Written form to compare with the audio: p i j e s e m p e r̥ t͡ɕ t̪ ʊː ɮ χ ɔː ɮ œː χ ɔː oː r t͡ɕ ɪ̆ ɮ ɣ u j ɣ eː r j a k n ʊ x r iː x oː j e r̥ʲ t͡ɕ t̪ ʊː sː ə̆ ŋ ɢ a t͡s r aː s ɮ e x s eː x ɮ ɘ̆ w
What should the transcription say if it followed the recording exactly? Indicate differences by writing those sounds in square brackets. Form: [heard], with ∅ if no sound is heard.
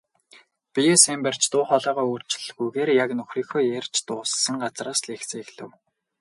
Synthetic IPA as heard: p i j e s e m p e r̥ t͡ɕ t̪ ʊː [∅] χ ɔː ɮ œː [ʁ] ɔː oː r t͡ɕ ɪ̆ ɮ ɣ u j ɣ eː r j a k n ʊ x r iː x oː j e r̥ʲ t͡ɕ t̪ ʊː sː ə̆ ŋ ɢ a t͡s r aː s ɮ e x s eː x ɮ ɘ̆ w